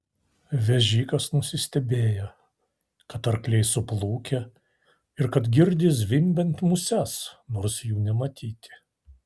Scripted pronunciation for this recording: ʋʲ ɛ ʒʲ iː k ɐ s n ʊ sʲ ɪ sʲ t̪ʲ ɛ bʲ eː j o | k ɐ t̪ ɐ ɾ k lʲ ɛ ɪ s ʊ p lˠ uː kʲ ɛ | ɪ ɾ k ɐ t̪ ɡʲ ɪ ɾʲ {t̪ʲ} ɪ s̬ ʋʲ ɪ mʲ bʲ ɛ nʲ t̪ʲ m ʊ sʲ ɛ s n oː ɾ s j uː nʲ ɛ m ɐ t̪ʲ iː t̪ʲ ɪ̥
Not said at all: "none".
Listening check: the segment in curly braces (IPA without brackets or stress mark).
d̪ʲ